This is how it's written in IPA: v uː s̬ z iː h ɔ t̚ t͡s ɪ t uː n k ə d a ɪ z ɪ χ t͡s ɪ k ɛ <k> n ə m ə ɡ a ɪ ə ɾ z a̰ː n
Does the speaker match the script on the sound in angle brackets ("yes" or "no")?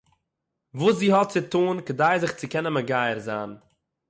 no